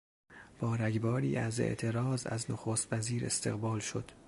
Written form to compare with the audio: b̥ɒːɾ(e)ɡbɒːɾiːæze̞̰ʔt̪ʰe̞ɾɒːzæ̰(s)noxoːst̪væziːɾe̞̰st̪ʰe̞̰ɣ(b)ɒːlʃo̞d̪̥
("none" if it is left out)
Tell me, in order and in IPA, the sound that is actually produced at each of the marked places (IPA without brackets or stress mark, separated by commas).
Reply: æ, z, b